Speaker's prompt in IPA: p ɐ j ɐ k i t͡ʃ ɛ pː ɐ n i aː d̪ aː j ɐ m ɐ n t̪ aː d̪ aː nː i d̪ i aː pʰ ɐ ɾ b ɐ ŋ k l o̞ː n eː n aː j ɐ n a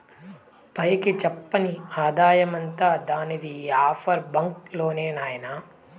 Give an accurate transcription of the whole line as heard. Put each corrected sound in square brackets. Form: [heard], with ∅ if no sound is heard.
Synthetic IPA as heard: p ɐ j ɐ k i t͡ʃ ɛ pː ɐ n i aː d̪ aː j ɐ m ɐ n t̪ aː d̪ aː [n] i d̪ i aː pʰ ɐ ɾ b ɐ ŋ k l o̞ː n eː n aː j ɐ n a